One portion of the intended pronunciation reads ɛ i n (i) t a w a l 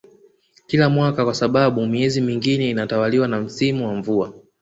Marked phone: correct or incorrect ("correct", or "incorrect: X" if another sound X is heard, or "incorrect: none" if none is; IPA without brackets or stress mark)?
incorrect: a